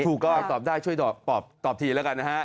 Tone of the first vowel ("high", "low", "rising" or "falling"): low